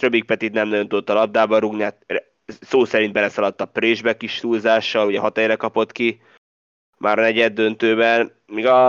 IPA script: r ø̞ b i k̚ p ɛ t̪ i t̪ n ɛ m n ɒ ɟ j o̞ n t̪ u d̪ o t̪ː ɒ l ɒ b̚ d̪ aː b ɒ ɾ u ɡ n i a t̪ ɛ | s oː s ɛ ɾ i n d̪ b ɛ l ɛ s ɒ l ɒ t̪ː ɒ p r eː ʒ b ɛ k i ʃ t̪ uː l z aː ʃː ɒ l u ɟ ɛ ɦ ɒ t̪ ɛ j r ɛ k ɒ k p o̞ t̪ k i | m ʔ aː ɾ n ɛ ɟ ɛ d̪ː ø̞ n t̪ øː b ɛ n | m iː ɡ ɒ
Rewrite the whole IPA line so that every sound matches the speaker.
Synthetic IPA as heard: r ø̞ b i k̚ p ɛ t̪ i t̪ n ɛ m n ɒ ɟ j o̞ n t̪ u d̪ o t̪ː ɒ l ɒ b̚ d̪ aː b ɒ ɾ u ɡ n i a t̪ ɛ | s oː s ɛ ɾ i n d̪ b ɛ l ɛ s ɒ l ɒ t̪ː ɒ p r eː ʒ b ɛ k i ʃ t̪ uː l z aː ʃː ɒ l u ɟ ɛ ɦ ɒ t̪ ɛ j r ɛ k ɒ p o̞ t̪ k i | m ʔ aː ɾ n ɛ ɟ ɛ d̪ː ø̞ n t̪ øː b ɛ n | m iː ɡ ɒ